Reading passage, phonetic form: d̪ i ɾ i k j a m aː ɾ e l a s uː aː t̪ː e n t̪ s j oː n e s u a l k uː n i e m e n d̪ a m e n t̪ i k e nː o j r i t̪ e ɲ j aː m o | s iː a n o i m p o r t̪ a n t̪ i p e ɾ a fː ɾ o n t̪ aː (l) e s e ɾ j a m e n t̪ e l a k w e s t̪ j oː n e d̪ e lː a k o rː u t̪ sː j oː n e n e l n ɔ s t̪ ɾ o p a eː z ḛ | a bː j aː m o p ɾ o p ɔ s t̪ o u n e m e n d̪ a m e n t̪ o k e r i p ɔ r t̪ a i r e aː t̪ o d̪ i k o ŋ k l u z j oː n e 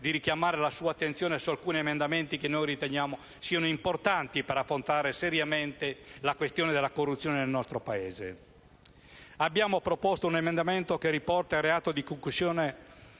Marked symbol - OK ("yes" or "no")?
no